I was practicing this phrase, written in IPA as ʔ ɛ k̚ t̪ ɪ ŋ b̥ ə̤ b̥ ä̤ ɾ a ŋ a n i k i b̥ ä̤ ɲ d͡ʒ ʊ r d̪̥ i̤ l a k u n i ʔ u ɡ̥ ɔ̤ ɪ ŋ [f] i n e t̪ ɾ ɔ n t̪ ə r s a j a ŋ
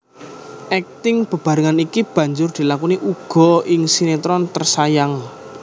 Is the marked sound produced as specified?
no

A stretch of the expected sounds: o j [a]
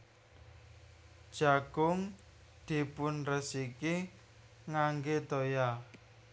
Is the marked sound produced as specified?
yes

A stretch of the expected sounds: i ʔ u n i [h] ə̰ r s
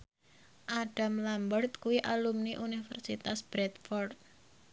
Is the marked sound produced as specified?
no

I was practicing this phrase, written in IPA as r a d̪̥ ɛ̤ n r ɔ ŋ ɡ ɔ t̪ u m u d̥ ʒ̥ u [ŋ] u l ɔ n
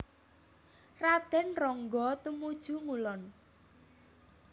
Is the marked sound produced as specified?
yes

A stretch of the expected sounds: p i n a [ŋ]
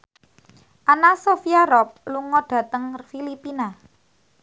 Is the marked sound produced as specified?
no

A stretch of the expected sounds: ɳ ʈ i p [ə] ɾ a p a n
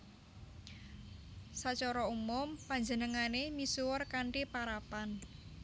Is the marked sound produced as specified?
no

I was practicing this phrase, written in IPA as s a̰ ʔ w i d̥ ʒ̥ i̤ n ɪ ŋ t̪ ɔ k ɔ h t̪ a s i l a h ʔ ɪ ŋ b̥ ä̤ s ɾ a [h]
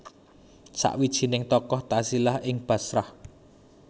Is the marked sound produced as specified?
yes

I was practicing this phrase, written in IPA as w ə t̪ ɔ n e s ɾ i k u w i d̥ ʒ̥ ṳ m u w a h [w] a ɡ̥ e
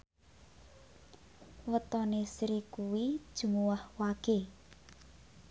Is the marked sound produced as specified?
yes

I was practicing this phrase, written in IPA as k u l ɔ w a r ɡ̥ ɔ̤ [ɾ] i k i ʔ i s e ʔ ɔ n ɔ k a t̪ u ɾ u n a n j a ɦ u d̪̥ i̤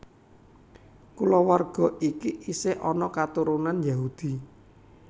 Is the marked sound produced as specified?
no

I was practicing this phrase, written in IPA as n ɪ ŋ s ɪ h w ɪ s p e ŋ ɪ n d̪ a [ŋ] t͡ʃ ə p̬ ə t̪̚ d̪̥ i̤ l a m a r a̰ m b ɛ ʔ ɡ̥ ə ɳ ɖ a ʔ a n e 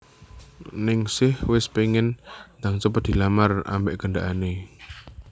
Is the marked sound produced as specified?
yes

